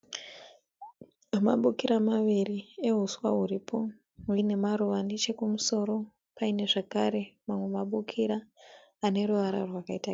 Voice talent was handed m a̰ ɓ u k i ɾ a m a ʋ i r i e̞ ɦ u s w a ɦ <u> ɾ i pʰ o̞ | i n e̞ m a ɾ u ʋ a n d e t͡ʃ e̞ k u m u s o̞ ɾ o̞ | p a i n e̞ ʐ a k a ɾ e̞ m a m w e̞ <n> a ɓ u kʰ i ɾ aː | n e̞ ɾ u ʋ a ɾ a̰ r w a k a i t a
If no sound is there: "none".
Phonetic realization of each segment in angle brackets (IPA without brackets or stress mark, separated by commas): u, m